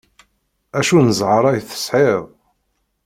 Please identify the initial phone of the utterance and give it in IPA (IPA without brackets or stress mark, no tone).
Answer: æ